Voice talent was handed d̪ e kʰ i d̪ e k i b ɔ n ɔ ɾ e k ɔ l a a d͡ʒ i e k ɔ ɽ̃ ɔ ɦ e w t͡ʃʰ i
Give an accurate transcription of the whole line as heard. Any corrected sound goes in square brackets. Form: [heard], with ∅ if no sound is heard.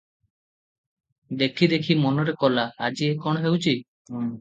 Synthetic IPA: d̪ e kʰ i d̪ e [kʰ] i [m] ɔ n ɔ ɾ e k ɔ l a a d͡ʒ i e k ɔ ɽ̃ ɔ ɦ e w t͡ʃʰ i